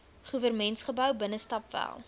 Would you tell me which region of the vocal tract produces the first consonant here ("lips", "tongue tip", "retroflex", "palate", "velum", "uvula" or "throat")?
uvula